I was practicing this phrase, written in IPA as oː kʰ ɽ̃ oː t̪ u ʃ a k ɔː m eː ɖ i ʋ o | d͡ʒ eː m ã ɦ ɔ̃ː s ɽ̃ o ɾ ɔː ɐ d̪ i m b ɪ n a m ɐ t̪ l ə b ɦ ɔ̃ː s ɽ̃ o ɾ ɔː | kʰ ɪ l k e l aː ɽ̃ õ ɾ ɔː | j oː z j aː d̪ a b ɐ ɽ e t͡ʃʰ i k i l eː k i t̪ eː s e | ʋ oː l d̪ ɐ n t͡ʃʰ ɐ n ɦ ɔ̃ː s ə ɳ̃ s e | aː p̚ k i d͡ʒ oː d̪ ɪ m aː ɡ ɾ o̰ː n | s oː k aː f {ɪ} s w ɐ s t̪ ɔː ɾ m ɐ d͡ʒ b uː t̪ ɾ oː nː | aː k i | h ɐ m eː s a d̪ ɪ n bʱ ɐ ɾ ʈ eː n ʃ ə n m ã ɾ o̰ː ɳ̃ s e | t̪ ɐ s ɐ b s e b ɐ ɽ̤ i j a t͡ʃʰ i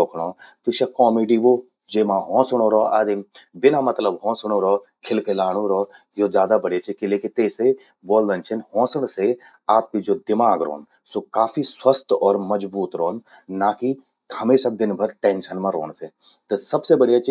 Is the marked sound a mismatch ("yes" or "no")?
yes